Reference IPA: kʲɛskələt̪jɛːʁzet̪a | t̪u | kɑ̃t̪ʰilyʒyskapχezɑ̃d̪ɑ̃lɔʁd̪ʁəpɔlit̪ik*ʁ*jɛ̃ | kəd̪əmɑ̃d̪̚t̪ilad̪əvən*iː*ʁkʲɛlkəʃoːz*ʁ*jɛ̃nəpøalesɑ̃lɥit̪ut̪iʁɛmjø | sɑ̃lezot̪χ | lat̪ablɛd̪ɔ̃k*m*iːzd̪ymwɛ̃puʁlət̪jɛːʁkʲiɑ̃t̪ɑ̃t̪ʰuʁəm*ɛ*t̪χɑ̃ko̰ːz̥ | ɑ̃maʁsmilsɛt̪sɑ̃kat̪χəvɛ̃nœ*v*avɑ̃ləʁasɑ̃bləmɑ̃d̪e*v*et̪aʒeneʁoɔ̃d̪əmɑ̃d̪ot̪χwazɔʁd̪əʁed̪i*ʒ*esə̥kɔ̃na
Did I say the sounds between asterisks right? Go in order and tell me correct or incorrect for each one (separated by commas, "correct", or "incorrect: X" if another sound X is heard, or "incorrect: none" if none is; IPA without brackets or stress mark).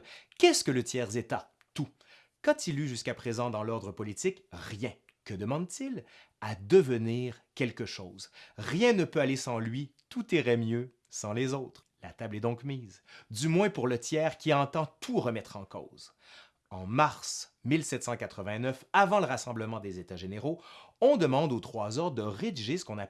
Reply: correct, correct, correct, correct, correct, incorrect: f, incorrect: z, correct